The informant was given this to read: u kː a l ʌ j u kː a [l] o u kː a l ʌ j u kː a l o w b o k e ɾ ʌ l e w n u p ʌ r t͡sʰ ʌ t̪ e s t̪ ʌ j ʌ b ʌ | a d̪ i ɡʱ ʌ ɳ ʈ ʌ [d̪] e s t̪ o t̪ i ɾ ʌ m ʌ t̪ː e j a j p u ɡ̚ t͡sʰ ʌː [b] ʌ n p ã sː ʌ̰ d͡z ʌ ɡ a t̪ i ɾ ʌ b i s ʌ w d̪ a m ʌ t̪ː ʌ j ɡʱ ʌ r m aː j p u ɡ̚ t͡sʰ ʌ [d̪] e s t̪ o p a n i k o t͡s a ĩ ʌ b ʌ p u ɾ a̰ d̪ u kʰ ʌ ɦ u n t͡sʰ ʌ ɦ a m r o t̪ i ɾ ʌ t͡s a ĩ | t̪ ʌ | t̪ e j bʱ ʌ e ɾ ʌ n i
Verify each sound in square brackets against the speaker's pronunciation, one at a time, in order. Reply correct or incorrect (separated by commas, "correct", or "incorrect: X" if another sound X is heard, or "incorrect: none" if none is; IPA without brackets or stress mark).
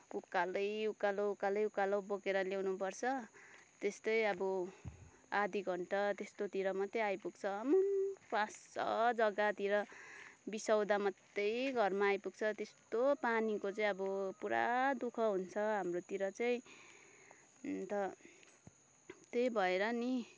correct, incorrect: t̪, incorrect: m, incorrect: t̪